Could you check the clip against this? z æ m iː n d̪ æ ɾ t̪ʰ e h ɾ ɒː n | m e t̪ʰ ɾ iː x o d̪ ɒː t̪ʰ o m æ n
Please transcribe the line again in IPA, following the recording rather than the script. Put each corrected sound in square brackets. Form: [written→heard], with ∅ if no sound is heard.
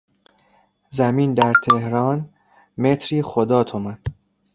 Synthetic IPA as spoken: z æ m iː n d̪ æ ɾ t̪ʰ e h ɾ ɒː n | m e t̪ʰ ɾ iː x o d̪ ɒː t̪ʰ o m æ n